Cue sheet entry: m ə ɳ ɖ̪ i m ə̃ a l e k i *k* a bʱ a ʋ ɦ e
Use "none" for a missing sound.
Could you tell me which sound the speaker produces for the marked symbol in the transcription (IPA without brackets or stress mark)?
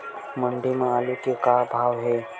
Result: k